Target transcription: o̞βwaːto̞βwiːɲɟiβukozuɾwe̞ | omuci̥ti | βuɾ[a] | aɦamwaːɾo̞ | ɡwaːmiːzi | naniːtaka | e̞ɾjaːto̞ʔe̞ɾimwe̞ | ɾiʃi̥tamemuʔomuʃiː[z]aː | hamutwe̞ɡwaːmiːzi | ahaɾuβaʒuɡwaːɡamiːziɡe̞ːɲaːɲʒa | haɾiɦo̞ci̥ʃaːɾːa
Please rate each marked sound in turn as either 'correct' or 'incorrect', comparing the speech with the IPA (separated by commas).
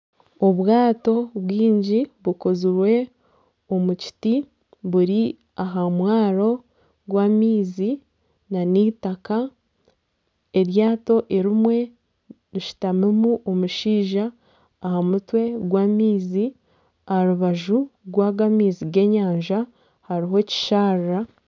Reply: incorrect, incorrect